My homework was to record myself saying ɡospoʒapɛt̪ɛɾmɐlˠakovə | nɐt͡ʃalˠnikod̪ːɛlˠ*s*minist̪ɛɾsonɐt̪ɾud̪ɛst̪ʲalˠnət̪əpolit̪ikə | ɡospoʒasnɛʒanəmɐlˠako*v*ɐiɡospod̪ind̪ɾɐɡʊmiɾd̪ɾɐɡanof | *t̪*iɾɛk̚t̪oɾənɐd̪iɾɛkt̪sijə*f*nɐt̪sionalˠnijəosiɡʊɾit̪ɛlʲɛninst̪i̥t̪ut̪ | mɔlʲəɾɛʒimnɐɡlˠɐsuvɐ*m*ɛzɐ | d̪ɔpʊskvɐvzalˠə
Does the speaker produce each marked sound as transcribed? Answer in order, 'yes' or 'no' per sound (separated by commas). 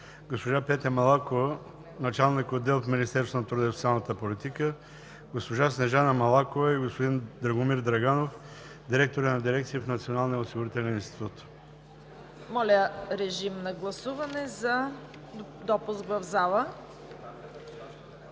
no, yes, no, yes, no